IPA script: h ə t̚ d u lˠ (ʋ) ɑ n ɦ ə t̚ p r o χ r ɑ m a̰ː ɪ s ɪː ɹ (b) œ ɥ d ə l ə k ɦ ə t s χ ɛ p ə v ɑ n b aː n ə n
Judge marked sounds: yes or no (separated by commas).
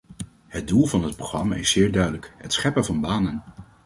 no, no